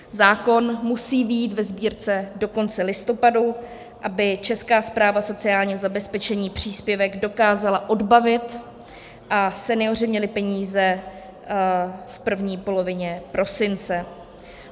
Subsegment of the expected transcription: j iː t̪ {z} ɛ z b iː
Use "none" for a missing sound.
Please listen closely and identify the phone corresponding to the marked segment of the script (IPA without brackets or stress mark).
v